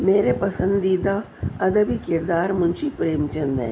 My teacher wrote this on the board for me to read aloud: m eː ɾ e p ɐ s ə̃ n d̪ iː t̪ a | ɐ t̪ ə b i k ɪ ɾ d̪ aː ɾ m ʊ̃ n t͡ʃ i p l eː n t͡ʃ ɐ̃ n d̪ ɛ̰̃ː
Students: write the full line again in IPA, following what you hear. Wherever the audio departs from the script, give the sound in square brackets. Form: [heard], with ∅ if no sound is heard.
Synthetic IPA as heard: m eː ɾ e p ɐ s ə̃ n d̪ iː [d̪] a | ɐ [d̪] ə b i k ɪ ɾ d̪ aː ɾ m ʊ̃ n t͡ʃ i p [ɾ] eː [m] t͡ʃ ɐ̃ n d̪ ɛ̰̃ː